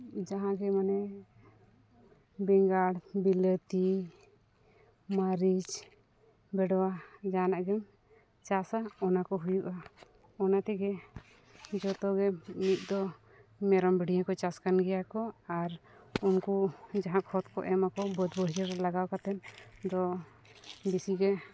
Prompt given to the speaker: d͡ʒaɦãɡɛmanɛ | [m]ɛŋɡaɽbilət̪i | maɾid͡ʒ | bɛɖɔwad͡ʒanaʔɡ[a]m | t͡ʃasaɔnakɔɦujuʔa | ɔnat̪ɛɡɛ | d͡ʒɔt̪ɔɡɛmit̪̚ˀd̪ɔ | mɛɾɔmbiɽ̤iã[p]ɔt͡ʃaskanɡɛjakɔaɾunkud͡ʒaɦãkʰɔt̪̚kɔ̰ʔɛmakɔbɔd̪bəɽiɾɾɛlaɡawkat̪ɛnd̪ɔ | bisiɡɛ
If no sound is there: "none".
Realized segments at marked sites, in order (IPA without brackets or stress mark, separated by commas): b, ɛ, k